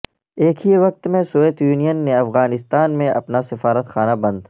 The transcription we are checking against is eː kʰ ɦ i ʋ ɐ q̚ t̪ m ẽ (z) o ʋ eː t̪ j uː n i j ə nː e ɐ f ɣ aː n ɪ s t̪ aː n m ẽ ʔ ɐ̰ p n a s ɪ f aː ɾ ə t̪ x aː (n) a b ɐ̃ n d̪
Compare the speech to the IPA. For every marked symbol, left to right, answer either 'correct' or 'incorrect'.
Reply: incorrect, correct

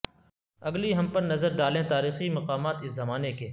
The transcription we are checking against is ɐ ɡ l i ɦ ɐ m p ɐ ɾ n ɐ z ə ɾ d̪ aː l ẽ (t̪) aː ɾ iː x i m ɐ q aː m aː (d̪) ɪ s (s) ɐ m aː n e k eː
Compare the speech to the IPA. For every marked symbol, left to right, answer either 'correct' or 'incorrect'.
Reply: correct, incorrect, incorrect

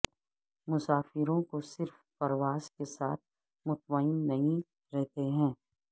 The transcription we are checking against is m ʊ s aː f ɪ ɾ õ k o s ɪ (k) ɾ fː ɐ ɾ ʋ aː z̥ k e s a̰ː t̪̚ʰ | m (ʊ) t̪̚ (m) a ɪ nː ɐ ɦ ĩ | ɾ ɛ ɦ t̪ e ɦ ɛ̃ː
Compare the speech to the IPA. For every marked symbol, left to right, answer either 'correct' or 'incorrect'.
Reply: incorrect, correct, correct

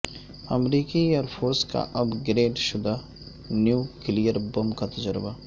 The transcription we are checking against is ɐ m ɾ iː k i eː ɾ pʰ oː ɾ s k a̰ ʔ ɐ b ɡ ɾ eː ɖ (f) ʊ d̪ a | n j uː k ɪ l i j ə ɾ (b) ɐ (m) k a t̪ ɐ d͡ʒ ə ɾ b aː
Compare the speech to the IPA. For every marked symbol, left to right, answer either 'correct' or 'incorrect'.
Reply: incorrect, correct, correct

